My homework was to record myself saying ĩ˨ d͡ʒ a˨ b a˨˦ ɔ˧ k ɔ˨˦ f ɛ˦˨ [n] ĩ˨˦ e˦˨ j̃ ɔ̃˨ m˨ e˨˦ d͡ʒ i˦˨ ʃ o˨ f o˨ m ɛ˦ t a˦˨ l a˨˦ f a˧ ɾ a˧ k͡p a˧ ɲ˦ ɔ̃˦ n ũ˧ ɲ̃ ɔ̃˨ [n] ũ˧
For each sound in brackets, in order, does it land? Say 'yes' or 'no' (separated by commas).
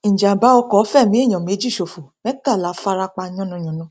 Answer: no, yes